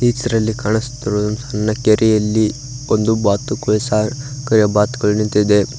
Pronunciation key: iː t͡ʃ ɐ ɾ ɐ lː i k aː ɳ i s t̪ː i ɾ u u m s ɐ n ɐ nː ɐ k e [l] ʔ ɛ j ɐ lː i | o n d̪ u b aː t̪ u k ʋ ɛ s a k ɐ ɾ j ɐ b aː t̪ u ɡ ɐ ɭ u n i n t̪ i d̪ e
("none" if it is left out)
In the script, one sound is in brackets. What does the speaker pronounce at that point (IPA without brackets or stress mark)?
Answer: ɾ